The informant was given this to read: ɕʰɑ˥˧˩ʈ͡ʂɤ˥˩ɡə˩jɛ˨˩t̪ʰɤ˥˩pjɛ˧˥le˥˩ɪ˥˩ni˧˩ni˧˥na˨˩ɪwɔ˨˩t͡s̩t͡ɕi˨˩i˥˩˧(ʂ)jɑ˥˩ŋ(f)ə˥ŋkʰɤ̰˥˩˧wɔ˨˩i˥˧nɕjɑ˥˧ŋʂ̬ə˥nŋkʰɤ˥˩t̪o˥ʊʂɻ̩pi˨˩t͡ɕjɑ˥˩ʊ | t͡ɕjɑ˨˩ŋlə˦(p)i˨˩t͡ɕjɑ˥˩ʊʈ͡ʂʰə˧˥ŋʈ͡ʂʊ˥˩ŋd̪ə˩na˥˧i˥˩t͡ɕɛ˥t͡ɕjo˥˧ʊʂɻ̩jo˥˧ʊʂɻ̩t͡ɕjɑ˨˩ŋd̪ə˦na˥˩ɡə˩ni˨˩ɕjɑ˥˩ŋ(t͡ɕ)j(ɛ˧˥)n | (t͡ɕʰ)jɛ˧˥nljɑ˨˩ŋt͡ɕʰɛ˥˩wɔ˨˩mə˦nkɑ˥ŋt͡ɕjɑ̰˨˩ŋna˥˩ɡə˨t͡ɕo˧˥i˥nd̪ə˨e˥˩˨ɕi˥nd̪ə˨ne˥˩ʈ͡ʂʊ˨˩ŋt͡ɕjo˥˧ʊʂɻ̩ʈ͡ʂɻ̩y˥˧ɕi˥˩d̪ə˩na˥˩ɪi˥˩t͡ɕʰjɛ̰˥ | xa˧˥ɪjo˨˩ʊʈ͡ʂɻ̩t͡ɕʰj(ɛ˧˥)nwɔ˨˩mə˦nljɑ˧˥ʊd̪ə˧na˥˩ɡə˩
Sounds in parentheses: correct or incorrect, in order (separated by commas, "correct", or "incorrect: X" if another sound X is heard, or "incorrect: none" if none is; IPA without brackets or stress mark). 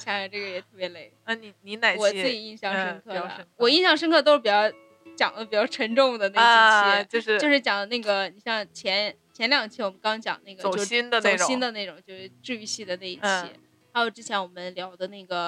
incorrect: ɕ, incorrect: ʂ, correct, incorrect: t͡ɕʰ, correct, correct, correct